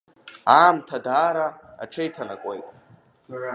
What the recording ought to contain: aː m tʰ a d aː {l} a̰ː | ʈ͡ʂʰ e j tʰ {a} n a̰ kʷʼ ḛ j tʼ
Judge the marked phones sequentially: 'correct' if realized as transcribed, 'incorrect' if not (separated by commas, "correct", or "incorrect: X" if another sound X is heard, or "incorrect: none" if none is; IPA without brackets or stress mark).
incorrect: ɾ, correct